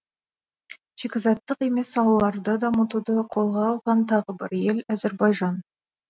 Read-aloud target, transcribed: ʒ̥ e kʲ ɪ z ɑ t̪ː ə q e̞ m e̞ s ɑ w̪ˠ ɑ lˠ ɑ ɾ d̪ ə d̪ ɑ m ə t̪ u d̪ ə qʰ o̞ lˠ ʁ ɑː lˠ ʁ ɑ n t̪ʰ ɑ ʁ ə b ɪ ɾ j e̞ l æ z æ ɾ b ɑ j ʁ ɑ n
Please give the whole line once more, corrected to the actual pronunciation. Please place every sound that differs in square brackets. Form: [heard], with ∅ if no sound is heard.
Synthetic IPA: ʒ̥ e kʲ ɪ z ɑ t̪ː ə q e̞ m e̞ s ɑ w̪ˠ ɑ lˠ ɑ ɾ d̪ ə d̪ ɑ m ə t̪ u d̪ ə qʰ o̞ lˠ ʁ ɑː lˠ ʁ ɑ n t̪ʰ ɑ ʁ ə b ɪ ɾ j e̞ l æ z [e] ɾ b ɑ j [ʒ] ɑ n

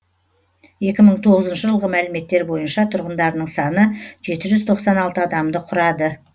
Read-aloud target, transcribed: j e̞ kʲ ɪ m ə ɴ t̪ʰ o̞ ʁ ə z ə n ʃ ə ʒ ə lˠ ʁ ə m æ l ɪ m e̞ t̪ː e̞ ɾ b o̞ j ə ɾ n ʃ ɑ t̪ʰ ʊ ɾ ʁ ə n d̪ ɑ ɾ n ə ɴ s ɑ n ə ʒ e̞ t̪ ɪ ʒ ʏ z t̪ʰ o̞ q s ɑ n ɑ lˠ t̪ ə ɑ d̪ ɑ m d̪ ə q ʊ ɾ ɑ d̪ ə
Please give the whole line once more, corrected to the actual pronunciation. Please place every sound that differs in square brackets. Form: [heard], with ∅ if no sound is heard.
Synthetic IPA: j e̞ kʲ ɪ m ə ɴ t̪ʰ o̞ ʁ ə z ə n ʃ ə ʒ ə lˠ ʁ ə m æ l ɪ m e̞ t̪ː e̞ ɾ b o̞ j ə [∅] n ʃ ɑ t̪ʰ ʊ ɾ ʁ ə n d̪ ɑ ɾ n ə ɴ s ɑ n ə ʒ e̞ t̪ ɪ ʒ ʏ z t̪ʰ o̞ q s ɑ n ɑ lˠ t̪ ə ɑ d̪ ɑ m d̪ ə [qʰ] ʊ ɾ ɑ d̪ ə

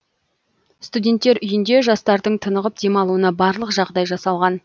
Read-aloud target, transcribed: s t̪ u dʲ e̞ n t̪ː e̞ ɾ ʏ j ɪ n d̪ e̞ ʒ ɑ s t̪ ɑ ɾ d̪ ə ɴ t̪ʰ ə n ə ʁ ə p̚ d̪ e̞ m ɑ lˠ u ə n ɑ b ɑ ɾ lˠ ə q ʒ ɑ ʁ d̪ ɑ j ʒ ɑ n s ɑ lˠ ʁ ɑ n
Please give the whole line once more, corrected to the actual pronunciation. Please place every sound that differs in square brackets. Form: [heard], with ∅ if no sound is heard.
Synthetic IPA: s t̪ u dʲ e̞ n t̪ː e̞ ɾ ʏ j ɪ n d̪ e̞ ʒ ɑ s t̪ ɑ ɾ d̪ ə ɴ t̪ʰ ə n ə ʁ ə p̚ d̪ e̞ m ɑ lˠ u ə n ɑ b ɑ ɾ lˠ ə q ʒ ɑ ʁ d̪ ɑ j ʒ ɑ [∅] s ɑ lˠ ʁ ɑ n

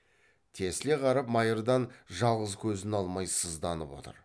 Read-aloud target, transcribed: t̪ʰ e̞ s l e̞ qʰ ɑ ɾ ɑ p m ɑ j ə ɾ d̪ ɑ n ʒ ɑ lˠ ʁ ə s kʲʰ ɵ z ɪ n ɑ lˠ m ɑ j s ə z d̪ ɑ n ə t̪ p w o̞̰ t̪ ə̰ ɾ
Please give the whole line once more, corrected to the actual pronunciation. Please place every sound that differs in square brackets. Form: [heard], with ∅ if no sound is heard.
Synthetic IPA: t̪ʰ e̞ s l e̞ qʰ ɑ ɾ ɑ p m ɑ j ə ɾ d̪ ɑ n ʒ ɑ lˠ ʁ ə [z] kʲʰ ɵ z ɪ n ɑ lˠ m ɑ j s ə z d̪ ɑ n ə [∅] p w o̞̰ t̪ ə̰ ɾ

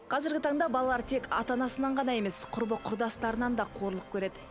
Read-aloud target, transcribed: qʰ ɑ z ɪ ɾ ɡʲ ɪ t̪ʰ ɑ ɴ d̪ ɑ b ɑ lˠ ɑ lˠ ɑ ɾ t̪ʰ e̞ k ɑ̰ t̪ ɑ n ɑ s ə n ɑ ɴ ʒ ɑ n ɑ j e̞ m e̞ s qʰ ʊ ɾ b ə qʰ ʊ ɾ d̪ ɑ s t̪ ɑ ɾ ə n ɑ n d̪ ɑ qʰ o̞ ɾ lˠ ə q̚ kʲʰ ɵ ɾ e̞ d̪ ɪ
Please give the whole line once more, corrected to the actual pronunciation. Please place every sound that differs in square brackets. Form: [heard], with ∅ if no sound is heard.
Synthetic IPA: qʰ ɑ z ɪ ɾ ɡʲ ɪ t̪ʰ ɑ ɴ d̪ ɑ b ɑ lˠ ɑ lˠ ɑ ɾ t̪ʰ e̞ k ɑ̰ t̪ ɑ n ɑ s ə n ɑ ɴ [ʁ] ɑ n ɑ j e̞ m e̞ s qʰ ʊ ɾ b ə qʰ ʊ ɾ d̪ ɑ s t̪ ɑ ɾ ə n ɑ n d̪ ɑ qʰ o̞ ɾ lˠ ə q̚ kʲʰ ɵ ɾ e̞ d̪ ɪ

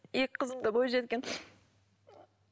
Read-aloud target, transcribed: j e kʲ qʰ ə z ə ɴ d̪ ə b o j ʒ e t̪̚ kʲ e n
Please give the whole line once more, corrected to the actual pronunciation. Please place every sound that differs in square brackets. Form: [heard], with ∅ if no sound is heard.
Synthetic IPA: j e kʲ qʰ ə z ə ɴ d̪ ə b o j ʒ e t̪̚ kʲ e n

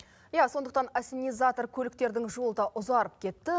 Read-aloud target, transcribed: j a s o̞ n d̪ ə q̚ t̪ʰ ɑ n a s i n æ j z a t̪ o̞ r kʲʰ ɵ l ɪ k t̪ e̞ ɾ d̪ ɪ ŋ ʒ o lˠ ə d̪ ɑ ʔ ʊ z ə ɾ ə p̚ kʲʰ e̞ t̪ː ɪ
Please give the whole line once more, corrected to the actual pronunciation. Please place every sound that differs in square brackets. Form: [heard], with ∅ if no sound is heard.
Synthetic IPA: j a s o̞ n d̪ ə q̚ [t̪] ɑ n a s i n [i] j z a t̪ o̞ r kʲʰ ɵ l ɪ k t̪ e̞ ɾ d̪ ɪ ŋ ʒ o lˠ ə d̪ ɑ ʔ ʊ z [ɑ] ɾ ə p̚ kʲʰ e̞ t̪ː ɪ

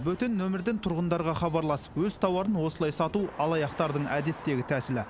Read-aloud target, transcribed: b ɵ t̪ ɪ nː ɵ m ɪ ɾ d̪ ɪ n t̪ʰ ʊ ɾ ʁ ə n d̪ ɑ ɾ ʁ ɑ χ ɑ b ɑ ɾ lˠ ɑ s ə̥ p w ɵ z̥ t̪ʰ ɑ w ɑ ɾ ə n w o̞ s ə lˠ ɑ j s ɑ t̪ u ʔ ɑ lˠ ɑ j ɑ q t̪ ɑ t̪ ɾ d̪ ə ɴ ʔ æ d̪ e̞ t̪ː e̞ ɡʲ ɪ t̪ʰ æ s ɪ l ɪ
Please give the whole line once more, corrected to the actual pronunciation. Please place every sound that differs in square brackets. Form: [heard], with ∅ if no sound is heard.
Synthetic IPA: b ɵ t̪ ɪ nː ɵ m ɪ ɾ d̪ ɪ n t̪ʰ ʊ ɾ ʁ ə n d̪ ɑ ɾ ʁ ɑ χ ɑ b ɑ ɾ lˠ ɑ s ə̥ p w ɵ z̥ t̪ʰ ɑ w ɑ ɾ ə n w o̞ s ə lˠ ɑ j s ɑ t̪ u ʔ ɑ lˠ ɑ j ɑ q t̪ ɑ [∅] ɾ d̪ ə ɴ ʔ æ d̪ e̞ t̪ː e̞ ɡʲ ɪ t̪ʰ æ s ɪ l ɪ

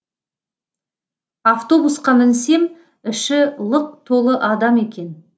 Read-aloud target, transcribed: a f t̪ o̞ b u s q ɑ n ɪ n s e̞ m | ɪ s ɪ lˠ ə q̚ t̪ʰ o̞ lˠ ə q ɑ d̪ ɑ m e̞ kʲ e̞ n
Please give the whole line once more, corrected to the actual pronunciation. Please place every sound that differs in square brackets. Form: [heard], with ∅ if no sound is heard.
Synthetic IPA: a f t̪ o̞ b u s q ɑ [m] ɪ n s e̞ m | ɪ [ʃ] ɪ lˠ ə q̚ t̪ʰ o̞ lˠ ə [ʔ] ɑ d̪ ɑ m e̞ kʲ e̞ n

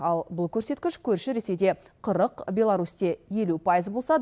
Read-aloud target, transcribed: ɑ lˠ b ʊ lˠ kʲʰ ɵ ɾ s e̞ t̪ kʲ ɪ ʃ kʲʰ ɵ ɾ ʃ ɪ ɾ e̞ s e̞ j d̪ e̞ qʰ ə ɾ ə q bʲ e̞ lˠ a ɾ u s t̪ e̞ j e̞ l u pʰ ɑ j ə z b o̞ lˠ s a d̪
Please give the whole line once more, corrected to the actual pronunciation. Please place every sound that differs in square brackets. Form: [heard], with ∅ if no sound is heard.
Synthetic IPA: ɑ lˠ b ʊ lˠ kʲʰ ɵ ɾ s e̞ t̪ kʲ ɪ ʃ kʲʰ ɵ ɾ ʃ ɪ ɾ e̞ s e̞ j d̪ e̞ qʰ ə ɾ ə q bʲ e̞ lˠ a ɾ u s t̪ e̞ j e̞ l u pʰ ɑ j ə z b o̞ lˠ s [ɑ] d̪

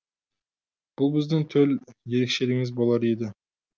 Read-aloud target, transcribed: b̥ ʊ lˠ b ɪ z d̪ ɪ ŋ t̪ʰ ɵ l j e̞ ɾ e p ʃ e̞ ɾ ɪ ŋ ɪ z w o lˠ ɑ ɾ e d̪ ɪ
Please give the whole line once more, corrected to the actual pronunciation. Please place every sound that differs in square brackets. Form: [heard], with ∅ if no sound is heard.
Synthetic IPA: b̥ ʊ lˠ b ɪ z d̪ ɪ ŋ t̪ʰ ɵ l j e̞ ɾ e [k] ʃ e̞ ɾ ɪ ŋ ɪ z [b] o lˠ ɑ ɾ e d̪ ɪ

